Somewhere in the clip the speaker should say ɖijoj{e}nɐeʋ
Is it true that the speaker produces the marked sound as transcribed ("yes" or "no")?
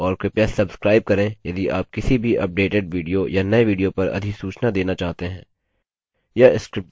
no